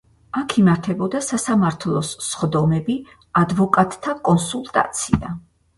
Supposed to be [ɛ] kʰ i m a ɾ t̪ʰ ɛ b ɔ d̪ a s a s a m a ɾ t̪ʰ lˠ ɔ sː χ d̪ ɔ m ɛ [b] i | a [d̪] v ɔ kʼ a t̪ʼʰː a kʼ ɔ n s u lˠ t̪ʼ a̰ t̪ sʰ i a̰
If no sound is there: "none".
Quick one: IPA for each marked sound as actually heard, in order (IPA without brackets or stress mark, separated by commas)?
a, b, d̪